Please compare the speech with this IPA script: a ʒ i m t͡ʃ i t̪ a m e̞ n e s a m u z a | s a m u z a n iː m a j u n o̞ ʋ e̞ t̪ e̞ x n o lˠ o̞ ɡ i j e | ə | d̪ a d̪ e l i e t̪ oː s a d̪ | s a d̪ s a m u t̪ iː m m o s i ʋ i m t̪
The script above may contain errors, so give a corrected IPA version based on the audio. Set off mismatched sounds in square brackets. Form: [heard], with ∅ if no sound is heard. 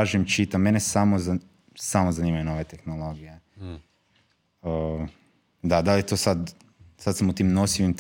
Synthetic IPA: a ʒ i m t͡ʃ i t̪ a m e̞ n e s a m [o] z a | s a m [o] z a n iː m a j u n o̞ ʋ e̞ t̪ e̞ x n o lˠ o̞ ɡ i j e | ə | d̪ a d̪ [a] l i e t̪ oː s a d̪ | s a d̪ s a m u t̪ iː m [n] o s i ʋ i m t̪